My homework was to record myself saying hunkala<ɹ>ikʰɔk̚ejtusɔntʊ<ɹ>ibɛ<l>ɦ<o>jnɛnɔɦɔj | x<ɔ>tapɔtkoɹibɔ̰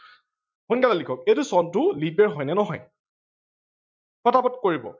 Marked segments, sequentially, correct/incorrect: incorrect, incorrect, incorrect, incorrect, correct

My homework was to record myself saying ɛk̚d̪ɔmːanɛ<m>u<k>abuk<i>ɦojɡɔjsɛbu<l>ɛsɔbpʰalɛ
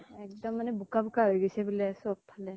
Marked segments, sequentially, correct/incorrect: incorrect, correct, incorrect, correct

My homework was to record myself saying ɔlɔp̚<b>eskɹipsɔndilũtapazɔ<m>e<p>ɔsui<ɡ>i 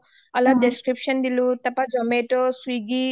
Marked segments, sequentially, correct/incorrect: incorrect, correct, incorrect, correct

